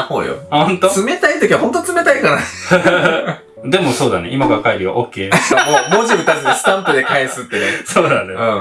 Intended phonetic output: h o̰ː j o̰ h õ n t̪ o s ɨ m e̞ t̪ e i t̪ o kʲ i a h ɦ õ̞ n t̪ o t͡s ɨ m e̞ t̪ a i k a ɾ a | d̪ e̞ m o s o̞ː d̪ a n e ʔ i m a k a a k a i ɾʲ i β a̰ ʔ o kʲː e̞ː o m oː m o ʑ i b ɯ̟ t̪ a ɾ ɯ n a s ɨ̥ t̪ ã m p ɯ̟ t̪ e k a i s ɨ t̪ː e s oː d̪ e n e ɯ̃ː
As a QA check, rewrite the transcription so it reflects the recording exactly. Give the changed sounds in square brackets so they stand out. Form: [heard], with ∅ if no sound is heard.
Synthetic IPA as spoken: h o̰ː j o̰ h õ n t̪ o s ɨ m e̞ t̪ [a] i t̪ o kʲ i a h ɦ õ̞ n t̪ o t͡s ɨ m e̞ t̪ a i k a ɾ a | d̪ e̞ m o s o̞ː d̪ a n e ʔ i m a k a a k a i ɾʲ i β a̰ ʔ o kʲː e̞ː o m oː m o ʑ i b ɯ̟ t̪ a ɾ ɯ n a s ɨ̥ t̪ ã m p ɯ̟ [d̪] e k a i s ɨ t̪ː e s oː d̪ [a] n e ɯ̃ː